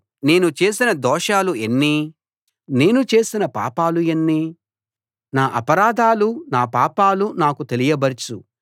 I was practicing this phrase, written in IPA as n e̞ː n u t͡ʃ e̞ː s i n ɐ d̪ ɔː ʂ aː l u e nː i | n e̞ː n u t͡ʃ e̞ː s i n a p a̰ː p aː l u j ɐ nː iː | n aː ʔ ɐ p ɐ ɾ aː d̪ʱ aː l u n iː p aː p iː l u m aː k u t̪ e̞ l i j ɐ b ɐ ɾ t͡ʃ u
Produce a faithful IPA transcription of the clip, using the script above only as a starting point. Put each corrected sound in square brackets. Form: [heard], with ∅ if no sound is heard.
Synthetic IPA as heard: n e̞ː n u t͡ʃ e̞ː s i n ɐ d̪ ɔː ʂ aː l u e nː i | n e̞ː n u t͡ʃ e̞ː s i n [ɐ] p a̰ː p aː l u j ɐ nː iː | n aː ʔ ɐ p ɐ ɾ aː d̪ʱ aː l u n [aː] p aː p [aː] l u [n] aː k u t̪ e̞ l i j ɐ b ɐ ɾ t͡ʃ u